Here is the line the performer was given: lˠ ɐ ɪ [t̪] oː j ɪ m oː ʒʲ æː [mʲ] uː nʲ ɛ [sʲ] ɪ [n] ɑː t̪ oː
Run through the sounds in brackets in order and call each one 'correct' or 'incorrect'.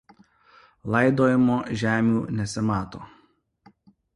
incorrect: d̪, correct, correct, incorrect: m

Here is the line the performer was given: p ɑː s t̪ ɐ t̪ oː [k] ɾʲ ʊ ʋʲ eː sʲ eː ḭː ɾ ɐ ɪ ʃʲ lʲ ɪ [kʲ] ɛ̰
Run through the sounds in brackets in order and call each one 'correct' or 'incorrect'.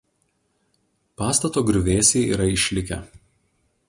incorrect: ɡ, correct

